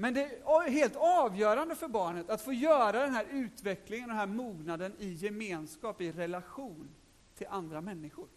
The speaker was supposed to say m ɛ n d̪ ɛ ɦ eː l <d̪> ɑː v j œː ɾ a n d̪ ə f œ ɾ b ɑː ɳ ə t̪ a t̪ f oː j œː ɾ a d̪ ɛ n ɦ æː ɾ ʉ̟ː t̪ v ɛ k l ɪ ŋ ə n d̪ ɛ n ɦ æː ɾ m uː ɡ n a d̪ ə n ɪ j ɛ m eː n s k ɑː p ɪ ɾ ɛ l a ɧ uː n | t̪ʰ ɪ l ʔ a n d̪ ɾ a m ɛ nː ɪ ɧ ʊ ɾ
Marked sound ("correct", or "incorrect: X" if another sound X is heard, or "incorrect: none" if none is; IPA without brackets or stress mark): incorrect: t̪